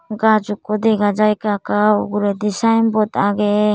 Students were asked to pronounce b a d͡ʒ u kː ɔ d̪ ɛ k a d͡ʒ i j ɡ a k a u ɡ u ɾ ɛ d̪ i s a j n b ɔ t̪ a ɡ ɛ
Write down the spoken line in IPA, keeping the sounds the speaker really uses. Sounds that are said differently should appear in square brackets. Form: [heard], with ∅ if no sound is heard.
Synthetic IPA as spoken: [ɡ] a d͡ʒ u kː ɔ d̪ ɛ [ɡ] a d͡ʒ [a] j [k] a k a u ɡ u ɾ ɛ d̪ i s a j n b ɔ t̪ a ɡ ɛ